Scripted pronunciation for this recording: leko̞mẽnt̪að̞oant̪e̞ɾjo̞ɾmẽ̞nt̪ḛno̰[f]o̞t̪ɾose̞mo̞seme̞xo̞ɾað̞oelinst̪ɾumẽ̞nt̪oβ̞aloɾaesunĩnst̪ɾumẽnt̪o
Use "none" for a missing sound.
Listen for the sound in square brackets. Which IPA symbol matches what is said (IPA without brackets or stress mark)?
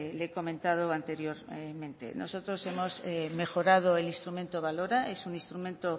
s